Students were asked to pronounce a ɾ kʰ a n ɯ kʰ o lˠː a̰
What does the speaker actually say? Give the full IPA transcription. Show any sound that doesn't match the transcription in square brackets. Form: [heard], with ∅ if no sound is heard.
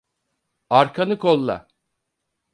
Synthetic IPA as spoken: a ɾ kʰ a n ɯ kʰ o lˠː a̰